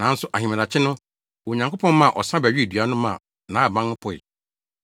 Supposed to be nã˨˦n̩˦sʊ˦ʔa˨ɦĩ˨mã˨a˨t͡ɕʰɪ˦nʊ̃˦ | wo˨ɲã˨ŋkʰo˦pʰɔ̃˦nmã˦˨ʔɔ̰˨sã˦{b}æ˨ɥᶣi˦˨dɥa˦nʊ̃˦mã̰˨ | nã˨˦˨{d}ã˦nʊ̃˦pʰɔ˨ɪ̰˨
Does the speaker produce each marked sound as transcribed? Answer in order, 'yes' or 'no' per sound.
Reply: yes, no

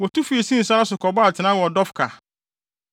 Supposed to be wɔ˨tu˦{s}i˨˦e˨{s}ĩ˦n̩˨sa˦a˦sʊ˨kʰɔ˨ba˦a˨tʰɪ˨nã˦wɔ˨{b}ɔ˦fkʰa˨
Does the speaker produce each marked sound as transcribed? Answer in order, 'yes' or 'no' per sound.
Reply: no, yes, no

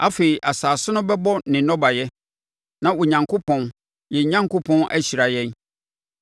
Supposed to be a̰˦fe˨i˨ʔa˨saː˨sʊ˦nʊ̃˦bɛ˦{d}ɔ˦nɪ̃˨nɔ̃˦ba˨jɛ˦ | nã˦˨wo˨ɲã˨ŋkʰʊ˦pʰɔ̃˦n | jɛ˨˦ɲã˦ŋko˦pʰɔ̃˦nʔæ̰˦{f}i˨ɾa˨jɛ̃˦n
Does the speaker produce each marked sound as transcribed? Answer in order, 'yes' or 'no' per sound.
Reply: no, no

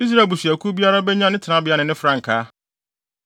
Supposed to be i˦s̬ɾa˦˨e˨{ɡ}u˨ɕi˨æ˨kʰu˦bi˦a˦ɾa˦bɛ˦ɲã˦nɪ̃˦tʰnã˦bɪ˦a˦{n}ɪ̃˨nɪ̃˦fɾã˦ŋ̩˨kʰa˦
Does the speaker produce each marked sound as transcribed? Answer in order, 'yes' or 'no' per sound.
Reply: no, yes

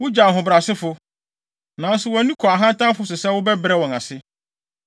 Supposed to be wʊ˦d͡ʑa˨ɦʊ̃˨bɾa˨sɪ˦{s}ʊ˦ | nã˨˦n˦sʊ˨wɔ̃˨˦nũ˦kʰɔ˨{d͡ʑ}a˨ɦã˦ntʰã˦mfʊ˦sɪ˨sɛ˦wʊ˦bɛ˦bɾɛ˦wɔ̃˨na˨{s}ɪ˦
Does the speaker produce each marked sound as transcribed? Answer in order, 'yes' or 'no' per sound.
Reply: no, no, yes

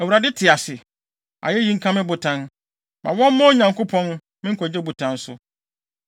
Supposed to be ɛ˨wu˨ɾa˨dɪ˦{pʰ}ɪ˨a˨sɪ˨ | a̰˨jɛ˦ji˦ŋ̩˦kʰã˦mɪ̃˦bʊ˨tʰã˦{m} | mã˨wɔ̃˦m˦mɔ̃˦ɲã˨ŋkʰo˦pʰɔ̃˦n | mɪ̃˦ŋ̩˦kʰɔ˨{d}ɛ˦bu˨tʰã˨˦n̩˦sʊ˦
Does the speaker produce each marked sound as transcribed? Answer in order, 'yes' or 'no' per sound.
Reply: no, no, no

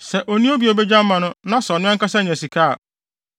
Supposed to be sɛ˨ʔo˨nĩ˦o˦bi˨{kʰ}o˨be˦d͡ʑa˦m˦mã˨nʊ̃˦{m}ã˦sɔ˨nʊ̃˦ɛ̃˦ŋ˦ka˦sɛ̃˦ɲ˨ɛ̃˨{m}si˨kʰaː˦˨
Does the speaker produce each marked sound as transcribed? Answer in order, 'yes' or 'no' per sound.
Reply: no, no, no

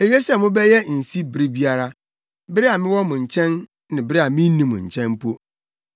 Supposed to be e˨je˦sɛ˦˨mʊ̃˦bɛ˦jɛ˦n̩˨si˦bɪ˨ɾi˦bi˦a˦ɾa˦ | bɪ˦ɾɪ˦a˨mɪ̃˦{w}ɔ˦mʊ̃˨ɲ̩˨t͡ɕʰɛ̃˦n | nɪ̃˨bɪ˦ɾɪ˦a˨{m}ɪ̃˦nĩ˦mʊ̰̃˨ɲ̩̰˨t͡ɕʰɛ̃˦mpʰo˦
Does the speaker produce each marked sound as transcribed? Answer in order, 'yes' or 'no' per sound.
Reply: yes, yes

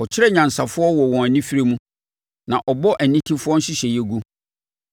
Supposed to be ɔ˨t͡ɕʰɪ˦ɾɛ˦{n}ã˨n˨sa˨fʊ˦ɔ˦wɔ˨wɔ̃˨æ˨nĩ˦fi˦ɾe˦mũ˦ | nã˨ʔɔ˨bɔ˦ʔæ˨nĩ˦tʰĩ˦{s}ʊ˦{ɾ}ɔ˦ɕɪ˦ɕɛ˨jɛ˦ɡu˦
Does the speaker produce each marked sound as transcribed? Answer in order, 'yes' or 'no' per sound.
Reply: no, no, no

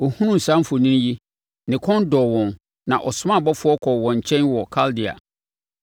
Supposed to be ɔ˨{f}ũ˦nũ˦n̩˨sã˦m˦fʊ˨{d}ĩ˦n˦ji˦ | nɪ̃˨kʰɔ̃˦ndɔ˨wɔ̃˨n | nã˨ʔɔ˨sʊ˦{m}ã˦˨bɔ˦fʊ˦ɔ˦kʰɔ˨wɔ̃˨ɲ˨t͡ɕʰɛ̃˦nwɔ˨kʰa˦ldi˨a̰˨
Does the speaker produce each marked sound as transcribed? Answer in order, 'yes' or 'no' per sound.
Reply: no, no, yes

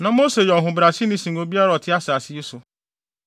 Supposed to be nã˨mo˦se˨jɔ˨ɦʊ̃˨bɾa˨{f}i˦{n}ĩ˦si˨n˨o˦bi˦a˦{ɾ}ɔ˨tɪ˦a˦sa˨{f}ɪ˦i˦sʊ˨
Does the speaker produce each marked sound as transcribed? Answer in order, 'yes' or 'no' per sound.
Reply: no, yes, yes, no

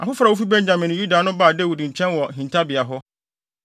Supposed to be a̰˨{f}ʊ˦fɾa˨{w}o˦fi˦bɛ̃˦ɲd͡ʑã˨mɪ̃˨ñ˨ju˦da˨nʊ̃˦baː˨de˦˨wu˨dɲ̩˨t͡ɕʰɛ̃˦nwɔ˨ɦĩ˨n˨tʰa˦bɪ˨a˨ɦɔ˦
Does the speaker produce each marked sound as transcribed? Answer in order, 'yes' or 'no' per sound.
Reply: yes, yes

